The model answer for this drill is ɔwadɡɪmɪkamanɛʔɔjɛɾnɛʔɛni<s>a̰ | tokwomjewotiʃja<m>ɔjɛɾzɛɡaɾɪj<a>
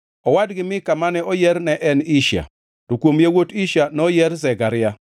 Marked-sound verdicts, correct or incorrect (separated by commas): incorrect, incorrect, correct